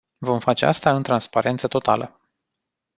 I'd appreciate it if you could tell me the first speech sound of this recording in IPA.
v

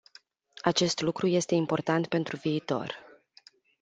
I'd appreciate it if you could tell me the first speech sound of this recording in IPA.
a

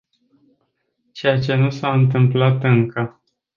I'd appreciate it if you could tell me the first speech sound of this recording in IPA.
t͡ʃ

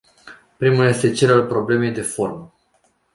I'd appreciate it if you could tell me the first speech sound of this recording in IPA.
p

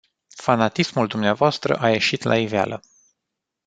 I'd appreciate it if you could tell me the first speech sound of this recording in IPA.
f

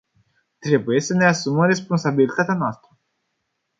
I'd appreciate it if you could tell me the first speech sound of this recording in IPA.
t̪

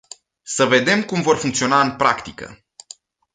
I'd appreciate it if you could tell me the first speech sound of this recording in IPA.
s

